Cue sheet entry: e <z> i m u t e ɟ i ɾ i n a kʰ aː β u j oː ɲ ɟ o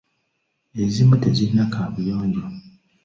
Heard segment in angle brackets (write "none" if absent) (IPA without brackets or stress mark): z